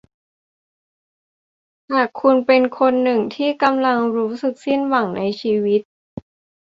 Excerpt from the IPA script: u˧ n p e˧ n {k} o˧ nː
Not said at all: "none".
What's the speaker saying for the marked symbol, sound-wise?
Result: kʰ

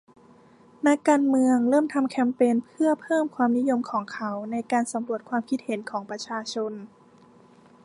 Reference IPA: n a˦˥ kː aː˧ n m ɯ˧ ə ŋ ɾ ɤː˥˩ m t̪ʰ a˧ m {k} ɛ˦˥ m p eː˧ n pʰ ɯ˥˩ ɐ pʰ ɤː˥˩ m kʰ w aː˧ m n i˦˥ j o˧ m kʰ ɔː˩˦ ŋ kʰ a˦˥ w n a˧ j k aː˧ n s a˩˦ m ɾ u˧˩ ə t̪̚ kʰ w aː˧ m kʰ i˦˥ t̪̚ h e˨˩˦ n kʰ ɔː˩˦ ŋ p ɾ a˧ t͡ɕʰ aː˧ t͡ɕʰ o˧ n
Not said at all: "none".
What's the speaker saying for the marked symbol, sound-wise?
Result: kʰ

